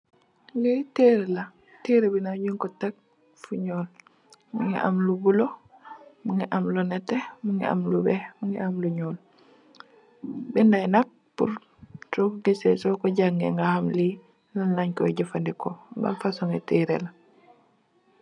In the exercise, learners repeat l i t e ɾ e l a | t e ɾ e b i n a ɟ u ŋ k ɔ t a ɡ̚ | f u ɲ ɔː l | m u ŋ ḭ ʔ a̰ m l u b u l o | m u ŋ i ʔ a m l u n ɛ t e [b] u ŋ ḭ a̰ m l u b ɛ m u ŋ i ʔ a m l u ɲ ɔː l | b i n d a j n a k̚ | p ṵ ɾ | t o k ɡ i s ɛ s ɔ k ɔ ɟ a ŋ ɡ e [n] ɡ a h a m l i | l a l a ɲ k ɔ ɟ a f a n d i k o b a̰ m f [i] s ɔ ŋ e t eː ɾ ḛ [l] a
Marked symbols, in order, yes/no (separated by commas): no, no, no, yes